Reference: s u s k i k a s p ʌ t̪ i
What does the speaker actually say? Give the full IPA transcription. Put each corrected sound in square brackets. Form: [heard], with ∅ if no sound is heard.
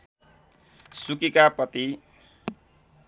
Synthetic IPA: s u [∅] k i k a [∅] p ʌ t̪ i